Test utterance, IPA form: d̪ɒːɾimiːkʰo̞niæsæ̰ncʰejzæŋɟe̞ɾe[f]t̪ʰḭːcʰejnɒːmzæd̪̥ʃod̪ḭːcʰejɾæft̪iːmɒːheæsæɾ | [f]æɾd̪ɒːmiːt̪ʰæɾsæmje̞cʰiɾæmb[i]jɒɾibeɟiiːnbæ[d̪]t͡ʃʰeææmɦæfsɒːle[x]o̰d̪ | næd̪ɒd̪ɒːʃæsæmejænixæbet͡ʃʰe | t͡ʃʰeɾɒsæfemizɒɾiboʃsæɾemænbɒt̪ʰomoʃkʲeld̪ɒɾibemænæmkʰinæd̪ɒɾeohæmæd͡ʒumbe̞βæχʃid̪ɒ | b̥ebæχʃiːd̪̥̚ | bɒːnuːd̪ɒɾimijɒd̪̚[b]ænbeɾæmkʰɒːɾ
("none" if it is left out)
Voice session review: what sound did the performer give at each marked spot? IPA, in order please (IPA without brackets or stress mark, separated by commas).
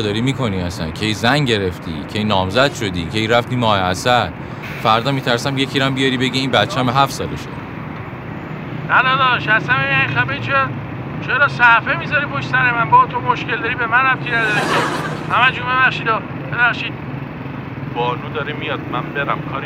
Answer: f, f, i, t̪, ʃ, m